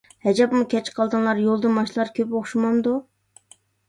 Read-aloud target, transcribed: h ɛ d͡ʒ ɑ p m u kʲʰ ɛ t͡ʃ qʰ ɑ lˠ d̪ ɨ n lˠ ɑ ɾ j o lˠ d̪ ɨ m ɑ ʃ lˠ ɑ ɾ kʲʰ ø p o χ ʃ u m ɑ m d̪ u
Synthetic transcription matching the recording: h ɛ d͡ʒ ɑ p m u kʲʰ ɛ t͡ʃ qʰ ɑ lˠ d̪ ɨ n lˠ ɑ ɾ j o lˠ d̪ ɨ m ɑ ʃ lˠ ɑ ɾ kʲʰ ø p o χ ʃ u m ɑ m d̪ u